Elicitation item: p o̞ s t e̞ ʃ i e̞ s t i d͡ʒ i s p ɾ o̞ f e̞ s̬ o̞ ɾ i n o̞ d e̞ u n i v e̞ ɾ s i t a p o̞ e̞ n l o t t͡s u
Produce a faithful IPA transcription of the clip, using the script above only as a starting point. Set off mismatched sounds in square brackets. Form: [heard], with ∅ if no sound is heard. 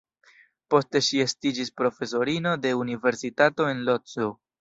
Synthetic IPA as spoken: p o̞ s t e̞ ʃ i e̞ s t i d͡ʒ i s p ɾ o̞ f e̞ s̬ o̞ ɾ i n o̞ d e̞ u n i v e̞ ɾ s i t a [t] o̞ e̞ n l o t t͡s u